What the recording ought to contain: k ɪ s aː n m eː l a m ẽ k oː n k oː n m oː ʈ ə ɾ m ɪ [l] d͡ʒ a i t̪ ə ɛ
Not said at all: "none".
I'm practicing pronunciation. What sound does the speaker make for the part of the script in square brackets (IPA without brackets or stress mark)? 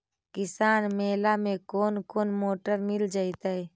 l